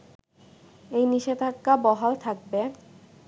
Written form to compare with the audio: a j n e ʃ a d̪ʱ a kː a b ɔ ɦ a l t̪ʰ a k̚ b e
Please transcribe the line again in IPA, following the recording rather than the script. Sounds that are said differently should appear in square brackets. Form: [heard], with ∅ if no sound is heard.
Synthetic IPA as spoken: [e] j n [i] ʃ [e] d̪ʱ a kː a b ɔ ɦ a l t̪ʰ a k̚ b e